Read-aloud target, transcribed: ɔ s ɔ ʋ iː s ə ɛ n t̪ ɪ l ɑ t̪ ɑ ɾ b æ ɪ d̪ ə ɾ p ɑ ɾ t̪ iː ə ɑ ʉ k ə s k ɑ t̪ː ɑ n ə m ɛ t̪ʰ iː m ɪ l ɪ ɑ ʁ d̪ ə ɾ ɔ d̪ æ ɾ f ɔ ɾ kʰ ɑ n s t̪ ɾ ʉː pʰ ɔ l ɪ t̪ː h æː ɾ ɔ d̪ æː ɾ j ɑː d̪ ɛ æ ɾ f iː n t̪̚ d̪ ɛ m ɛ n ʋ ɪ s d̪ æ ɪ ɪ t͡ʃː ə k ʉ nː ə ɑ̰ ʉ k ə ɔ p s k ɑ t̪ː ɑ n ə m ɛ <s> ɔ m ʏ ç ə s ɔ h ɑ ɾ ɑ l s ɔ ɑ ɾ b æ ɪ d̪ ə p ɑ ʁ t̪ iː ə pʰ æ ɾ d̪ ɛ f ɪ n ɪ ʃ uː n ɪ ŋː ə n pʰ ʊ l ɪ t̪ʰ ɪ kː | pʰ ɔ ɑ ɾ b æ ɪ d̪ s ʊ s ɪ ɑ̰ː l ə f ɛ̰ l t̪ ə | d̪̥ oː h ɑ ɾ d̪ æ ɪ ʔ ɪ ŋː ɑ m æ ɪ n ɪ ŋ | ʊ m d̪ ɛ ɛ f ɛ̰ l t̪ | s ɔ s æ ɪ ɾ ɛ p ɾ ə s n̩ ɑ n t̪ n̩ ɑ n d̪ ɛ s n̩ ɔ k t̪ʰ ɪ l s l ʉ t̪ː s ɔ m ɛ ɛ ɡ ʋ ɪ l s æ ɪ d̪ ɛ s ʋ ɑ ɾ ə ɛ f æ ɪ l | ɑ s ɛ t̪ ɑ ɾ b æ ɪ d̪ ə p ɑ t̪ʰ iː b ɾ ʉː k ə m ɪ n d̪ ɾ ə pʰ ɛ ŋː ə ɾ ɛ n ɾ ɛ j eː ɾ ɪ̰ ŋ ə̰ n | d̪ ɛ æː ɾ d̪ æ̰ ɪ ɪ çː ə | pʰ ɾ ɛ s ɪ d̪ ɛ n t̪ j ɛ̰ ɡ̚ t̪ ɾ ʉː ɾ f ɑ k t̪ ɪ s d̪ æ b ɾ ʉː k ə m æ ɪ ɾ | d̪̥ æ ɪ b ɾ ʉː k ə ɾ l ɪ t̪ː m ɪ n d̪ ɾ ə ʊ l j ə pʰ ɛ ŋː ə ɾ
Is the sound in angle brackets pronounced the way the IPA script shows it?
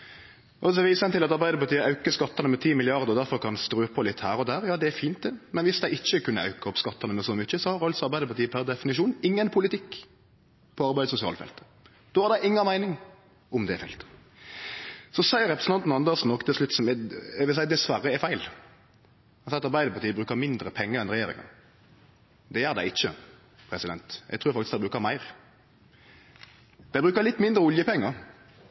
yes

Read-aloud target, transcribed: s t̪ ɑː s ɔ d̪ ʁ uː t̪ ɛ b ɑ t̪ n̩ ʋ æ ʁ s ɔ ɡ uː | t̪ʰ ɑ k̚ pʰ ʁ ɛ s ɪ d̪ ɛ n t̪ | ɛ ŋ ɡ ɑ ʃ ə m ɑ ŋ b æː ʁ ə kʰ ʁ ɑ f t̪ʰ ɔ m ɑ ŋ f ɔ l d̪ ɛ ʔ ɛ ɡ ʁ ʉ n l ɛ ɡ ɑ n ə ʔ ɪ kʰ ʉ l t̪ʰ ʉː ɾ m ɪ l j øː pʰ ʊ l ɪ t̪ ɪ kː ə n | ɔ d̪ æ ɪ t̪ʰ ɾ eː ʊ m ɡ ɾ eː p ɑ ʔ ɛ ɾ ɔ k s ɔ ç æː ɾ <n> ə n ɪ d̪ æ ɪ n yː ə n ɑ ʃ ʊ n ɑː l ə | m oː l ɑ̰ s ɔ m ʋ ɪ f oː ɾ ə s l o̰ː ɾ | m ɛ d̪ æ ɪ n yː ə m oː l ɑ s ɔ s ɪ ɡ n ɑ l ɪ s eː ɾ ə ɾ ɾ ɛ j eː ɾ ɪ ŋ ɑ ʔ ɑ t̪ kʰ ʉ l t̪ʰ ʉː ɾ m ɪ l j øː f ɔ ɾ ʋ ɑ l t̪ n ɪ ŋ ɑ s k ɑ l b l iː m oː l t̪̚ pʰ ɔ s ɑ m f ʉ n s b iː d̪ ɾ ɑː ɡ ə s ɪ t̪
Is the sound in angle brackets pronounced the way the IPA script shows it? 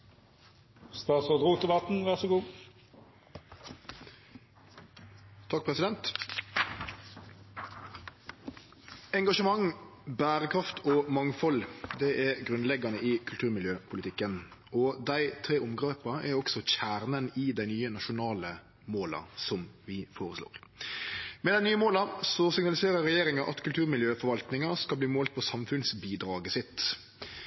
yes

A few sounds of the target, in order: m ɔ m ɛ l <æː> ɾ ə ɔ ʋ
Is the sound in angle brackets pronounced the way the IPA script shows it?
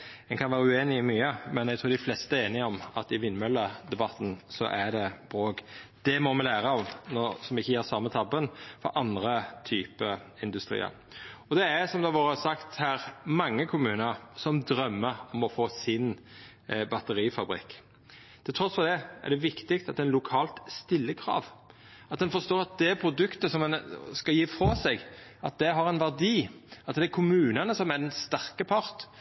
yes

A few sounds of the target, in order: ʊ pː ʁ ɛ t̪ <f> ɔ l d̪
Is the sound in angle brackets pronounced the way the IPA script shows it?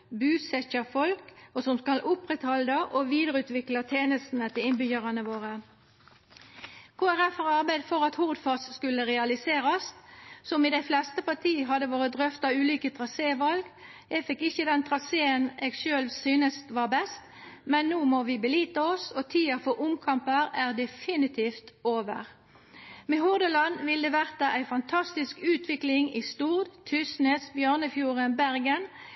no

